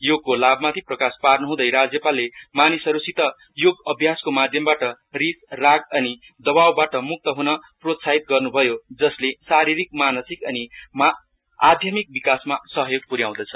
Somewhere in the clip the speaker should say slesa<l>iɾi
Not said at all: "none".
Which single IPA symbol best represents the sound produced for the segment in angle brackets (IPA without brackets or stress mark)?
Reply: ɾ